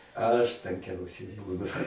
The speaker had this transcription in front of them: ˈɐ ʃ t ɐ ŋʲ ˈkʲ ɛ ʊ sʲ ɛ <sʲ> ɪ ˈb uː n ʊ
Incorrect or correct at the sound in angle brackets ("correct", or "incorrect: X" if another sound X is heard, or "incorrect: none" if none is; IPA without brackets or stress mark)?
incorrect: none